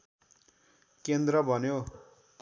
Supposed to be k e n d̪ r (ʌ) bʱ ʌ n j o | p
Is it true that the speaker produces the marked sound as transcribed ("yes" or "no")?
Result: yes